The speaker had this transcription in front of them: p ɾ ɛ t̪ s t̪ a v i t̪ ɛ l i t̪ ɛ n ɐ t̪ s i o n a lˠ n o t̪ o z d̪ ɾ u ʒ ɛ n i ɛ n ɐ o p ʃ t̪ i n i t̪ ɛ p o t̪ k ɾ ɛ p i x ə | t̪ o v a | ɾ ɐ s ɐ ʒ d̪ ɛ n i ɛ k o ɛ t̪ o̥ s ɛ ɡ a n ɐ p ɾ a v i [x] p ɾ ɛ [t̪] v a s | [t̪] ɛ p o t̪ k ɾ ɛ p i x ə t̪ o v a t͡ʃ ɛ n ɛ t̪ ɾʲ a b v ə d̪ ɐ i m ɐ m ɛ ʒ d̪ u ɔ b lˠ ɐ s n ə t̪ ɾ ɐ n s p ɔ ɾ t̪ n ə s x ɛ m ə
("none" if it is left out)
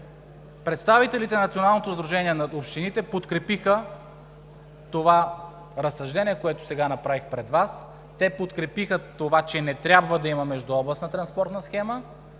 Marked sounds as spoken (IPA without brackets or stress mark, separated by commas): x, d̪, t̪